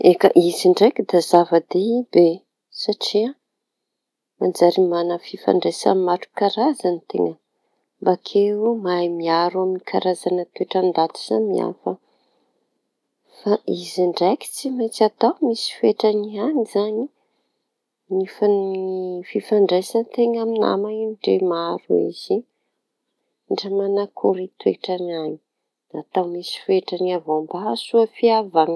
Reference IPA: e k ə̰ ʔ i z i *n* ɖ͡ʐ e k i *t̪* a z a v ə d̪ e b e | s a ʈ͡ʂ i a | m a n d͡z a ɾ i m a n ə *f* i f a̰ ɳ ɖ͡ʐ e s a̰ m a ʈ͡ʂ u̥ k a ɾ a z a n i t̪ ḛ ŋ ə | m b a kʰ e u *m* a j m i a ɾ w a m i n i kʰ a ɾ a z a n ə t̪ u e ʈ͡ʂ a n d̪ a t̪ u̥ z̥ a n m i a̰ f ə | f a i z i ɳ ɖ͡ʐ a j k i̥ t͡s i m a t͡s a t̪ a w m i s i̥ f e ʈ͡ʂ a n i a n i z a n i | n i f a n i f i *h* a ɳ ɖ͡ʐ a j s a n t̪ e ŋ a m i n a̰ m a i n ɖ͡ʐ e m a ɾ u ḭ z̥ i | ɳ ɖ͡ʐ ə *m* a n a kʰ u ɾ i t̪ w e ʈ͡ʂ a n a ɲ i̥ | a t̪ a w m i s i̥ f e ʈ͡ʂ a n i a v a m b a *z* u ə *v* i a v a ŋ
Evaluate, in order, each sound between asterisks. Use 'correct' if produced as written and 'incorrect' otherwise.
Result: incorrect, incorrect, correct, correct, incorrect, correct, incorrect, incorrect

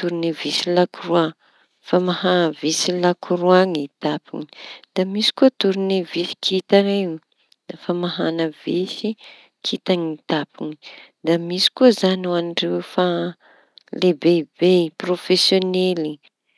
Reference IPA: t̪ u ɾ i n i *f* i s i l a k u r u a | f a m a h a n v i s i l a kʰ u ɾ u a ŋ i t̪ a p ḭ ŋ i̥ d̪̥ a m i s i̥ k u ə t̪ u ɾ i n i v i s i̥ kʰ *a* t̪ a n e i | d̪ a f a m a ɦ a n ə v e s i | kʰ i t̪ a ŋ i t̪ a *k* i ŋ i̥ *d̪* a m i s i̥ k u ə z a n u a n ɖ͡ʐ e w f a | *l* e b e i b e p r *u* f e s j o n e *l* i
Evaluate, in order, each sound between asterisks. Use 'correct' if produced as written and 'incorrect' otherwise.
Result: incorrect, incorrect, incorrect, correct, correct, incorrect, correct

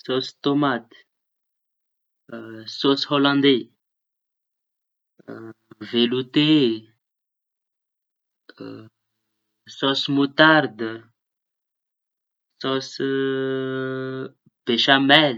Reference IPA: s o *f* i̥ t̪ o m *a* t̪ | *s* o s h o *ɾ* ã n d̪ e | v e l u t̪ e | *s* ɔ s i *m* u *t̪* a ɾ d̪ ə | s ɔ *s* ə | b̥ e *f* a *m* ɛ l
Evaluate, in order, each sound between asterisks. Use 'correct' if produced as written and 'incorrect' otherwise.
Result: incorrect, correct, correct, incorrect, correct, correct, correct, correct, incorrect, correct

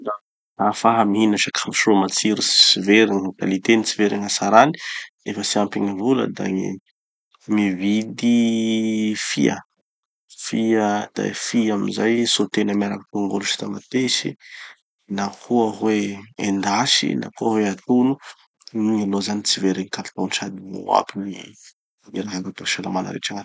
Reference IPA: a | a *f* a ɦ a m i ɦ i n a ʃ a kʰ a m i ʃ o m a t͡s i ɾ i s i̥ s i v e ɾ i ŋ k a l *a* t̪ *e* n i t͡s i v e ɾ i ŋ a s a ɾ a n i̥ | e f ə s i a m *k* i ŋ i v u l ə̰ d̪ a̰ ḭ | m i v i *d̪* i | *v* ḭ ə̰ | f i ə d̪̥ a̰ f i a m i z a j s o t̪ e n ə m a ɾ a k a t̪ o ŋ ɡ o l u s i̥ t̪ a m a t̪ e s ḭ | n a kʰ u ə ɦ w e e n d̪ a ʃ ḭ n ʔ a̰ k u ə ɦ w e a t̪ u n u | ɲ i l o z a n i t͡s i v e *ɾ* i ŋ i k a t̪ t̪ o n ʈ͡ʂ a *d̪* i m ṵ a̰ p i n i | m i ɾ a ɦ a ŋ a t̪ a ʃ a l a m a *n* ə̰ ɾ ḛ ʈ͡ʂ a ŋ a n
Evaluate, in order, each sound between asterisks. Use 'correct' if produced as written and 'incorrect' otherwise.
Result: correct, incorrect, correct, incorrect, correct, incorrect, correct, correct, correct

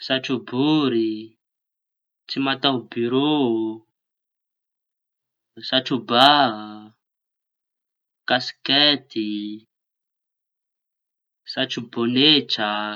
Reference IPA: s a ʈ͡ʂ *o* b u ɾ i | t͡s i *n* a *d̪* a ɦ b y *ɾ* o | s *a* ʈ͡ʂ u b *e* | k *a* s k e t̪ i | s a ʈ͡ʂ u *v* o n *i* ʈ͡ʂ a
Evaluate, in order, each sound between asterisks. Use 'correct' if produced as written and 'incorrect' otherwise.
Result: incorrect, incorrect, incorrect, correct, correct, incorrect, correct, incorrect, incorrect

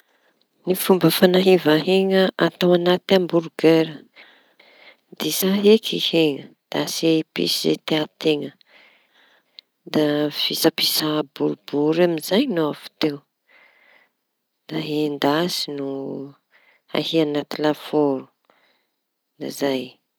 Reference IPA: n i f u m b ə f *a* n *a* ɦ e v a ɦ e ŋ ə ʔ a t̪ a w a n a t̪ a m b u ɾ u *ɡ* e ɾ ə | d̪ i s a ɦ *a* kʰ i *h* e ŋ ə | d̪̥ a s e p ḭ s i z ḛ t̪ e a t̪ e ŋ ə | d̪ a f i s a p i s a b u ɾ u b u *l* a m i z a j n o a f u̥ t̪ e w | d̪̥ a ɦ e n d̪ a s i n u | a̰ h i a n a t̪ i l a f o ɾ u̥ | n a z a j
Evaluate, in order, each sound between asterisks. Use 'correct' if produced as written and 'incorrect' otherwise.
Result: correct, correct, correct, incorrect, correct, incorrect

